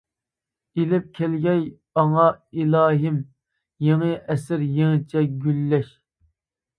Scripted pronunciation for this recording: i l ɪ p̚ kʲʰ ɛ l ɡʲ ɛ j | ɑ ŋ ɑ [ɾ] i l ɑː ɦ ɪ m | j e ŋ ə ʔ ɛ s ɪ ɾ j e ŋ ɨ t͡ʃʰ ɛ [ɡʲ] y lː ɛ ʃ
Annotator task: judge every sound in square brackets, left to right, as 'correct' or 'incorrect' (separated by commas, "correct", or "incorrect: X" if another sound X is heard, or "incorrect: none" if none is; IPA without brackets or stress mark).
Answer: incorrect: none, correct